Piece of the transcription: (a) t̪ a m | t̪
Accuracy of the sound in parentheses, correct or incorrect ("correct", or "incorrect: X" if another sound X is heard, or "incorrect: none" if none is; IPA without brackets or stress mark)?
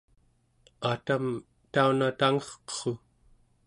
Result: correct